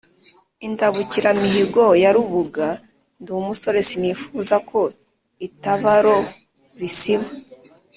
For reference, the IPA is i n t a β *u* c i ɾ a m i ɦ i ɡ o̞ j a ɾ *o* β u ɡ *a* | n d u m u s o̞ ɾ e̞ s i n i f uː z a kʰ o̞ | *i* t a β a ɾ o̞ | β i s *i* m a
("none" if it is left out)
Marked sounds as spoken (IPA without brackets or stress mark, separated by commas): u, u, a, i, i